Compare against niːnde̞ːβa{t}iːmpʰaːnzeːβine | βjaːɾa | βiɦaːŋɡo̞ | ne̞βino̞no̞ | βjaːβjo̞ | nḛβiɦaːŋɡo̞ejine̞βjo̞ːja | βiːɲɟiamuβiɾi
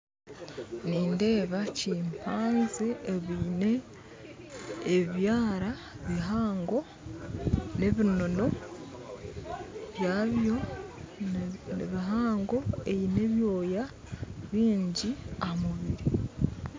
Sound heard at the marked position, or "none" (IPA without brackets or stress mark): c